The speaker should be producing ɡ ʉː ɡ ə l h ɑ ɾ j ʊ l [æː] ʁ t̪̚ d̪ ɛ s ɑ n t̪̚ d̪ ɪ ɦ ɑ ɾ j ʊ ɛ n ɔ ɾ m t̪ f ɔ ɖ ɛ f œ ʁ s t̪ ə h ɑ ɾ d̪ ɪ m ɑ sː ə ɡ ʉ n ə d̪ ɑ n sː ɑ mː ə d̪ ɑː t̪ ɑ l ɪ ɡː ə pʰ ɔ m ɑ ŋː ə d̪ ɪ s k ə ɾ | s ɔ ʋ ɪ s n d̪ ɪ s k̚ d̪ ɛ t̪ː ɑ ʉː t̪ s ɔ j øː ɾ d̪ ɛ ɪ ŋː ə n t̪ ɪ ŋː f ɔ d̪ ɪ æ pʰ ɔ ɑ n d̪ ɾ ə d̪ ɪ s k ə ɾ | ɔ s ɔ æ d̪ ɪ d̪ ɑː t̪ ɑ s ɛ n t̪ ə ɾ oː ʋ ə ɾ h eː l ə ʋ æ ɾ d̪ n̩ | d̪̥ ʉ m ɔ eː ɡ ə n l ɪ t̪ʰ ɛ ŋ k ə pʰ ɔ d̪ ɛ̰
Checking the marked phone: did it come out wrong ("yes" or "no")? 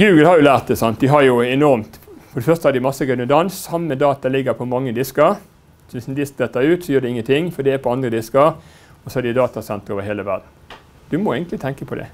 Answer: no